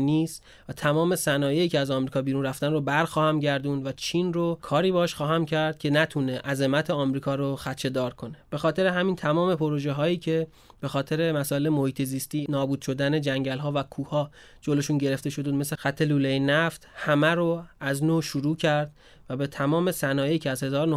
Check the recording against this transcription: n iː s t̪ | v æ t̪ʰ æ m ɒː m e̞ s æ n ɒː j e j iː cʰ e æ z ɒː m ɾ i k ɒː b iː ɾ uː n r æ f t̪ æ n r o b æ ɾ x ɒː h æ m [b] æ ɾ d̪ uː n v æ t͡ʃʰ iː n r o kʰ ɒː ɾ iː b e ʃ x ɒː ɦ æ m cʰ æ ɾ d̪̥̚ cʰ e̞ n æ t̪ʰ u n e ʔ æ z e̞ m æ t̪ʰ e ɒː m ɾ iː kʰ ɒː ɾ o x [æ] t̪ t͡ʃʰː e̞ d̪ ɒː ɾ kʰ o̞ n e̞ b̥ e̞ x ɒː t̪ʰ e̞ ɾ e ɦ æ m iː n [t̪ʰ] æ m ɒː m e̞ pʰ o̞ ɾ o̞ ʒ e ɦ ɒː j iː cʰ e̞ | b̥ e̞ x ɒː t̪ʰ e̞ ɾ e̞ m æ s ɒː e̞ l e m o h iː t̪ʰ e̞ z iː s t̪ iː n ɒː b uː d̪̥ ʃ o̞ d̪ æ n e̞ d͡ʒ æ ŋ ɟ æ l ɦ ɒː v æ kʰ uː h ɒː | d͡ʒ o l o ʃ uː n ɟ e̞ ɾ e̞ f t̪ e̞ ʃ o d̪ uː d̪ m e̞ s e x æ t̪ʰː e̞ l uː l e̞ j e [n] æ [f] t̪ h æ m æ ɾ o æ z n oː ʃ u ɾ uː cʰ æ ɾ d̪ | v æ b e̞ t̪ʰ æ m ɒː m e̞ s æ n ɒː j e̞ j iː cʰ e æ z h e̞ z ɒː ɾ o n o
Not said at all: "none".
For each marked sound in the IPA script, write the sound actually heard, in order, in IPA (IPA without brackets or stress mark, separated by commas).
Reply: ɟ, æ, t̪ʰ, n, f